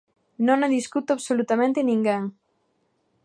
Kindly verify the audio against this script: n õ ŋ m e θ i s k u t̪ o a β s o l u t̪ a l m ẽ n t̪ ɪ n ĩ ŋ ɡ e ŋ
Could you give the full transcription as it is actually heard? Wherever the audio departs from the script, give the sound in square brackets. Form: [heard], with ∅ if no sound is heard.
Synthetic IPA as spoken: n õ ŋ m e [ð] i s k u t̪ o a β s o l u t̪ a [∅] m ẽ n t̪ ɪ n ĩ ŋ ɡ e ŋ